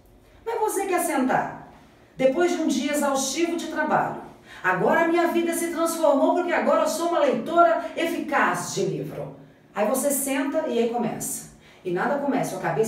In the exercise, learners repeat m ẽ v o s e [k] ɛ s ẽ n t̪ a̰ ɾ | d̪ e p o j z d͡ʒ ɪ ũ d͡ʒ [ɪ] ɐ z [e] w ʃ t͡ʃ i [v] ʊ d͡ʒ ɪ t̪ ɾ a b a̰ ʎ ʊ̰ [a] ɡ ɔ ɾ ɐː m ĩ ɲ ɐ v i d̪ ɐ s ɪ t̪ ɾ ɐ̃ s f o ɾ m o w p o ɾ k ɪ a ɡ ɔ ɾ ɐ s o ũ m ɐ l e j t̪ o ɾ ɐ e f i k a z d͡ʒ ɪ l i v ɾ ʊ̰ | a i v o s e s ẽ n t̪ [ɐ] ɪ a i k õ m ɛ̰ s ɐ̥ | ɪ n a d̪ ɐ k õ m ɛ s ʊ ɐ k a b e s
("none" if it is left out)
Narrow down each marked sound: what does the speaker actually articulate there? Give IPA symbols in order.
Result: k, i, a, v, a, ɐ

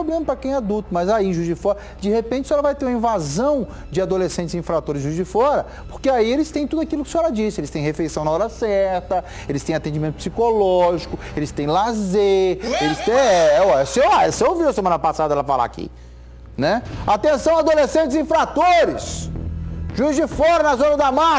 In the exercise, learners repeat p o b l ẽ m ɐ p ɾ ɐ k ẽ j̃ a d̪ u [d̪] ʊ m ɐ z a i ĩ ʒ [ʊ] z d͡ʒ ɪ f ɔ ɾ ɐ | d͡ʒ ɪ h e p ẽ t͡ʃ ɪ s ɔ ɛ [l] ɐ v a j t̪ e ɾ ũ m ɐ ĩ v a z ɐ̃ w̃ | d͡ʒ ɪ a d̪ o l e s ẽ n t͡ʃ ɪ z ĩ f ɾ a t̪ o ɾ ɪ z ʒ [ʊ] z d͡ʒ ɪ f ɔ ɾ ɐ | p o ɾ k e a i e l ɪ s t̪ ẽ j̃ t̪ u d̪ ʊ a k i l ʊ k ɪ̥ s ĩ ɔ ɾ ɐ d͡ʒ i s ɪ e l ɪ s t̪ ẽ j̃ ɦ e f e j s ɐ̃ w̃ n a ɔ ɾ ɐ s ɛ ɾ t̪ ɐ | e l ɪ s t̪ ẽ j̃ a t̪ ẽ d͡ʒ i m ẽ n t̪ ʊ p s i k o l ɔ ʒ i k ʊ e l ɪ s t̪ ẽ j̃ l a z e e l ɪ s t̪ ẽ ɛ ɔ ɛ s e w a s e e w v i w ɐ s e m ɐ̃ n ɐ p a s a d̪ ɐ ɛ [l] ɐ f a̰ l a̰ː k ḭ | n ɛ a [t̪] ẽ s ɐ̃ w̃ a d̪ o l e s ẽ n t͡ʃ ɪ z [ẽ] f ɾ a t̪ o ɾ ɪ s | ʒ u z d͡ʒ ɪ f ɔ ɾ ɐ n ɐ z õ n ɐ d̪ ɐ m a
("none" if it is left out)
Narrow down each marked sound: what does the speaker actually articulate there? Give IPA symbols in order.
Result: t̪, u, l, u, l, t̪, ĩ

